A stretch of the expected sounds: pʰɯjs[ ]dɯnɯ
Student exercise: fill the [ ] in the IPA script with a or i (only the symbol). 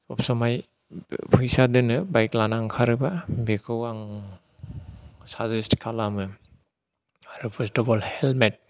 a